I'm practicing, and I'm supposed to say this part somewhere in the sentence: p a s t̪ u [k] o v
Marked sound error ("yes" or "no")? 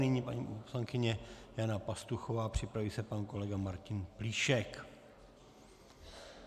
yes